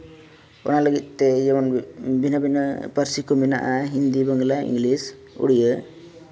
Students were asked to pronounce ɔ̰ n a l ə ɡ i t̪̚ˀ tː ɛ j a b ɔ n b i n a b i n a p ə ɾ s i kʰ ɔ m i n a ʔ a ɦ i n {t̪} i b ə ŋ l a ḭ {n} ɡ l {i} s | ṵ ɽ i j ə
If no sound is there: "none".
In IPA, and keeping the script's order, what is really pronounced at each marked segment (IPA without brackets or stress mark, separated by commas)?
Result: d̪, ŋ, i